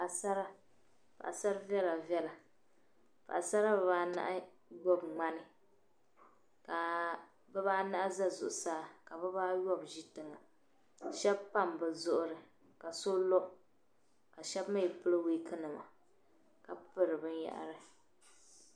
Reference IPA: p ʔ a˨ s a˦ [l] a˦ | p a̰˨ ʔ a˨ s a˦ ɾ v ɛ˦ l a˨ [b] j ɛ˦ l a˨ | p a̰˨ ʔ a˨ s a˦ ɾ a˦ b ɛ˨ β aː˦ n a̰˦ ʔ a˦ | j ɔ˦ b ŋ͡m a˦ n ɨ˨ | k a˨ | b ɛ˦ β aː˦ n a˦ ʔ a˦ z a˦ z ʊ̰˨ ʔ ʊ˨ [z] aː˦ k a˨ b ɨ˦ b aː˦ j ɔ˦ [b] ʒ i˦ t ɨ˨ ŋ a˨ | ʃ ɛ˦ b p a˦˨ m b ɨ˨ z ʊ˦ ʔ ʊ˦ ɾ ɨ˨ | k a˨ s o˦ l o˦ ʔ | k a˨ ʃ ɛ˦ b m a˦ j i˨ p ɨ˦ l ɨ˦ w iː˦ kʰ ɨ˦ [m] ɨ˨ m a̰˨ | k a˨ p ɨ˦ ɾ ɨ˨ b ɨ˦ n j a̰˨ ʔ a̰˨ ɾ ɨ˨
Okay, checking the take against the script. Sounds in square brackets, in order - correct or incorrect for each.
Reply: incorrect: ɾ, incorrect: v, incorrect: s, correct, incorrect: n

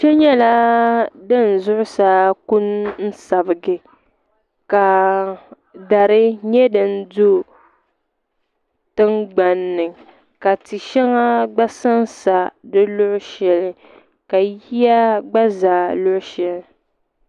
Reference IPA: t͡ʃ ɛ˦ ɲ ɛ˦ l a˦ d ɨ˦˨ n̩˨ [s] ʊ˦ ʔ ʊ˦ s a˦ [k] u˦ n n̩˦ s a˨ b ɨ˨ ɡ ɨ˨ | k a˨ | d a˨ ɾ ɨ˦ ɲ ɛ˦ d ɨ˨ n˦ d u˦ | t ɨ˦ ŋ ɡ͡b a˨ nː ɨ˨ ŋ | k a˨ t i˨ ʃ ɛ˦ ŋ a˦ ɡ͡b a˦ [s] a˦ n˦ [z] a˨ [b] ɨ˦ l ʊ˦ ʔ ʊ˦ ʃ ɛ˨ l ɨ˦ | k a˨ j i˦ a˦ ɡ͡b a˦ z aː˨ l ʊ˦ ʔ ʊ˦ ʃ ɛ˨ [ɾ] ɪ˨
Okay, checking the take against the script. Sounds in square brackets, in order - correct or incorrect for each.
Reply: incorrect: z, correct, correct, incorrect: s, incorrect: d, incorrect: l

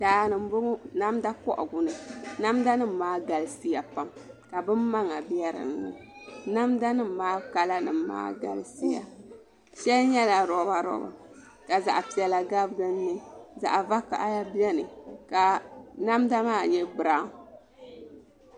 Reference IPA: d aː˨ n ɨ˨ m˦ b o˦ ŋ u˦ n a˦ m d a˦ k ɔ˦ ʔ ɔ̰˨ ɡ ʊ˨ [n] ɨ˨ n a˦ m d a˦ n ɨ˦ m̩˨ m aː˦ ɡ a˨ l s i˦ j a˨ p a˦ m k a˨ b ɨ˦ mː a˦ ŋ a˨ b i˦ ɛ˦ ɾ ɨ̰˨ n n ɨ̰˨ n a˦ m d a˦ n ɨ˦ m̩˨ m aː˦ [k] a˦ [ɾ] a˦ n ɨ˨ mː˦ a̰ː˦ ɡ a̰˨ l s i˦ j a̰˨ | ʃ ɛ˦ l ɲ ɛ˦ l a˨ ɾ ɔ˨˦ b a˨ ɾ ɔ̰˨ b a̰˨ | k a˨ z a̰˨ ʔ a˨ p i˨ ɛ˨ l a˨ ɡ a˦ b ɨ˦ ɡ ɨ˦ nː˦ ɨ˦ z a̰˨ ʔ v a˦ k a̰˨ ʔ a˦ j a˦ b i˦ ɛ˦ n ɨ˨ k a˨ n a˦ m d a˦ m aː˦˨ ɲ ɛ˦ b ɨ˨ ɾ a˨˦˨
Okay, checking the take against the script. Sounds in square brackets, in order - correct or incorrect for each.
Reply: correct, correct, incorrect: l

